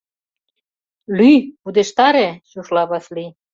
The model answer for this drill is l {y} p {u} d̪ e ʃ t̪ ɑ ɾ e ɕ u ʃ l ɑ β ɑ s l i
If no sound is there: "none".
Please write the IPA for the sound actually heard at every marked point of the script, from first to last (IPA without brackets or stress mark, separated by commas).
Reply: y, u